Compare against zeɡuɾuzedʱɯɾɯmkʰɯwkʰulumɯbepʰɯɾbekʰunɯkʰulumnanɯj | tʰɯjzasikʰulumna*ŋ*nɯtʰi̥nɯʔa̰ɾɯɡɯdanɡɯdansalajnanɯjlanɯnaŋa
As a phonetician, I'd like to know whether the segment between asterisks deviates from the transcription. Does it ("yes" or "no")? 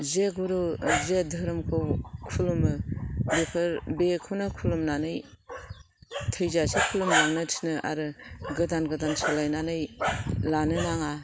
no